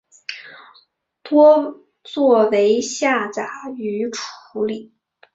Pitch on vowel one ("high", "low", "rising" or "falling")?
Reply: high